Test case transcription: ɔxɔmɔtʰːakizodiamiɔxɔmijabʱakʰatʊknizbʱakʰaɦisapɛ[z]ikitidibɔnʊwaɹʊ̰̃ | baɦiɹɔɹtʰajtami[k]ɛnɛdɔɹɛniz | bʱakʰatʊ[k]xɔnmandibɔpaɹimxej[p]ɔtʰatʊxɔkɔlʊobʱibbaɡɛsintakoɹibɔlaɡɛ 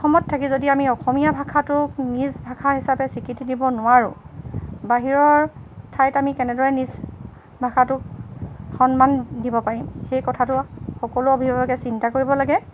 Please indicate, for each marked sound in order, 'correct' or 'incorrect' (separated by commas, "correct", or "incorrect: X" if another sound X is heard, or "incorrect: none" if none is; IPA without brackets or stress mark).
incorrect: s, correct, correct, incorrect: k